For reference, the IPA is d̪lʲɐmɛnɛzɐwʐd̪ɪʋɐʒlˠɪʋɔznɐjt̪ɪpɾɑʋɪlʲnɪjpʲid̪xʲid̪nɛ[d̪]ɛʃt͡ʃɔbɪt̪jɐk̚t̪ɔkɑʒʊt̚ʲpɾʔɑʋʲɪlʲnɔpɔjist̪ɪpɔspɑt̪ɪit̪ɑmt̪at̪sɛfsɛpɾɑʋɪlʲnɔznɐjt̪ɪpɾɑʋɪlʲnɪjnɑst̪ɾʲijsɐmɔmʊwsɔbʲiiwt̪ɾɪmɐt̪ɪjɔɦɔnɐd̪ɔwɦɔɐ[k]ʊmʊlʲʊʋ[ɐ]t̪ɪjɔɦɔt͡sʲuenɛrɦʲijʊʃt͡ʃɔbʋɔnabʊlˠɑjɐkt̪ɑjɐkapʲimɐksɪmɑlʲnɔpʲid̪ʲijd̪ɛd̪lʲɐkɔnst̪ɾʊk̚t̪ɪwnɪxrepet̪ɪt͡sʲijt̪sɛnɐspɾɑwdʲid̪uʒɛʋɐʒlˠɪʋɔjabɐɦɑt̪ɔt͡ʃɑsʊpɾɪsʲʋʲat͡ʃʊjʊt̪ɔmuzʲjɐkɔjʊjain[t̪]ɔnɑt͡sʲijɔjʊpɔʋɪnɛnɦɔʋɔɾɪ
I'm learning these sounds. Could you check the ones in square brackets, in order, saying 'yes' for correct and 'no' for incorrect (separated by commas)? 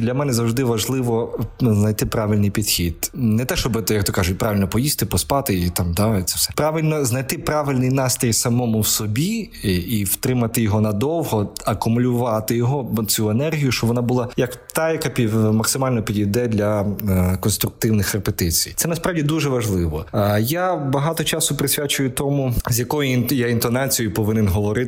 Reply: no, yes, no, yes